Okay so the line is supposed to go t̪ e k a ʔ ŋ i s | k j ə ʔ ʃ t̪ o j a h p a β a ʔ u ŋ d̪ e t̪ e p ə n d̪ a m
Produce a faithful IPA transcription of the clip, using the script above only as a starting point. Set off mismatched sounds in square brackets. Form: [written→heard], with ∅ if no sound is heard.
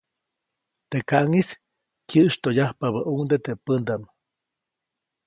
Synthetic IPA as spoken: t̪ e k a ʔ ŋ i s | k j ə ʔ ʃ t̪ o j a h p a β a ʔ u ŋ d̪ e t̪ e p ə n d̪ a m